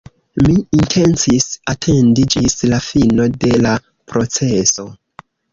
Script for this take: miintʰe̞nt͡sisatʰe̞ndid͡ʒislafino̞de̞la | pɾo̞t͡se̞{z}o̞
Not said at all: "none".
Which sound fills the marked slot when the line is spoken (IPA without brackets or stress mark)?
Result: s